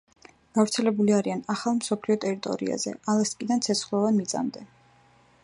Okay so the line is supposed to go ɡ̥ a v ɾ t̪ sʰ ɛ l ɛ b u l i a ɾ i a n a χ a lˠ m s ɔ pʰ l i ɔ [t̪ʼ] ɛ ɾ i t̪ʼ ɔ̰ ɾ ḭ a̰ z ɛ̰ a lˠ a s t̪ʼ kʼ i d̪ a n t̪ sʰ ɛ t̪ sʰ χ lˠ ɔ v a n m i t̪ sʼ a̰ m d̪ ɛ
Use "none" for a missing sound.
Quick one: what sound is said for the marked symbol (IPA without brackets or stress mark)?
t̪ʼ